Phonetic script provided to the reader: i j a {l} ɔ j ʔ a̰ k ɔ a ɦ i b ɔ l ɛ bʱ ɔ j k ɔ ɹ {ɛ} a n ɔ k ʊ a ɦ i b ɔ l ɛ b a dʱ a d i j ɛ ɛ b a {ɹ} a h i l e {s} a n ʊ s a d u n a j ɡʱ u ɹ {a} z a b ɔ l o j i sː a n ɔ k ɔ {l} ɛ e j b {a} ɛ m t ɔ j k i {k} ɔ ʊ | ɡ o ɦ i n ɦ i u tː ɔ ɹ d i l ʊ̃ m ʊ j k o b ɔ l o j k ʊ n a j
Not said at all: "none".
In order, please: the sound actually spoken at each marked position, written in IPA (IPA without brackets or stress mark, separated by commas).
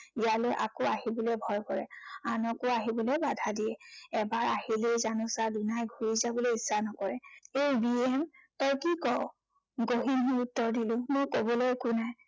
l, ɛ, ɹ, z, i, ɹ, i, k